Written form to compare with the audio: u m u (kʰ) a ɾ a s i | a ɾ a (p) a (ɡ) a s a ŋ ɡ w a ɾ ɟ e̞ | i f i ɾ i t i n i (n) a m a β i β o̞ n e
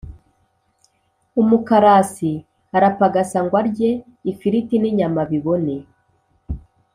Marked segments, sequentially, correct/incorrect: incorrect, correct, correct, incorrect

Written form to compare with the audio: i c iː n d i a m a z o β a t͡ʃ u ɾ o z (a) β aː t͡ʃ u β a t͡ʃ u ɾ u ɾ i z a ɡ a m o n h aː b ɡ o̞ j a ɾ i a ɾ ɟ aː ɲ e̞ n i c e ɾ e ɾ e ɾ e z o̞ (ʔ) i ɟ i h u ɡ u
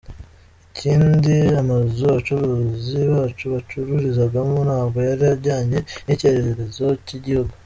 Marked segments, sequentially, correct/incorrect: incorrect, incorrect

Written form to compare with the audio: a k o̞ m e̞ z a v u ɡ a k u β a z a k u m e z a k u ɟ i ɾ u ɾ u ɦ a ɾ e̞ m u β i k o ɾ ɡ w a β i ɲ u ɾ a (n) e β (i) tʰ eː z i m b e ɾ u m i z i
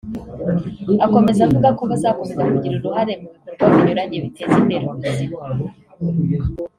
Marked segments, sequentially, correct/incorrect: incorrect, correct

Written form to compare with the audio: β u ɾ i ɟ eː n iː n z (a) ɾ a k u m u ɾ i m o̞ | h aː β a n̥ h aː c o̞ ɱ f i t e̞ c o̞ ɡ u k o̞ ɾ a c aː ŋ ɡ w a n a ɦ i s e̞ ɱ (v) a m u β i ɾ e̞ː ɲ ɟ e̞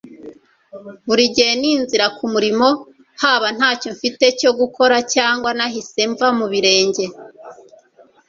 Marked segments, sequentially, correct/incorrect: incorrect, correct

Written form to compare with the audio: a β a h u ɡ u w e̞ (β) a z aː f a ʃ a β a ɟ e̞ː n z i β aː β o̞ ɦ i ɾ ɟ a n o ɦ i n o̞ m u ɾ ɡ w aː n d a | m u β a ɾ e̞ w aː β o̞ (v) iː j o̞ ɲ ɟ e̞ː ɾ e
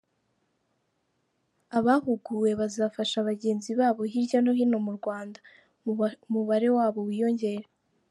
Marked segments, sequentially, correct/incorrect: correct, incorrect

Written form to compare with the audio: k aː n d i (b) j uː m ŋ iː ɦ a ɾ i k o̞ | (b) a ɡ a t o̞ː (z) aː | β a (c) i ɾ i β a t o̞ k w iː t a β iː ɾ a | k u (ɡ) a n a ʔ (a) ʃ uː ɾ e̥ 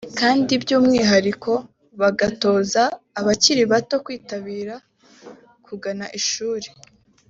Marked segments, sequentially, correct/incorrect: correct, incorrect, correct, correct, correct, incorrect

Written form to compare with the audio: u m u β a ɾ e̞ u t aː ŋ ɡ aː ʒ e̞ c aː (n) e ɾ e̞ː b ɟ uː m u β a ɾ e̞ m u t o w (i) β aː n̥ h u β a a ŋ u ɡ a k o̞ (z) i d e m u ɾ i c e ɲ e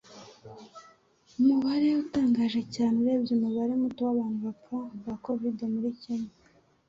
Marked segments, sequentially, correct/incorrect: correct, incorrect, incorrect

